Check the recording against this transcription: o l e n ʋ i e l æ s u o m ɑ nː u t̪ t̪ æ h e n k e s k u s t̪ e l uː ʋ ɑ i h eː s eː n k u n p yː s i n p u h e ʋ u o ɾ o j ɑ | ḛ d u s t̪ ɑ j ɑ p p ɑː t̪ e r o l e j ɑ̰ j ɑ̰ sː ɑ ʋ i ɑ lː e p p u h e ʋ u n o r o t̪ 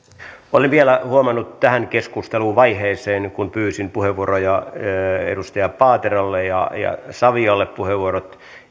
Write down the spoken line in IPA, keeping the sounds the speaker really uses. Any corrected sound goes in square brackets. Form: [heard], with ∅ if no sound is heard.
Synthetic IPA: o l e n ʋ i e l æ [h] u o m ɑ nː u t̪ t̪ æ h [æ] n k e s k u s t̪ e l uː ʋ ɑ i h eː s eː n k u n p yː s i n p u h e ʋ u o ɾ o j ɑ | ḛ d u s t̪ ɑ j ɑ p p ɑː t̪ e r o [lː] e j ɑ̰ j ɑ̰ [s] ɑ ʋ i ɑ lː e p p u h e ʋ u [∅] o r o t̪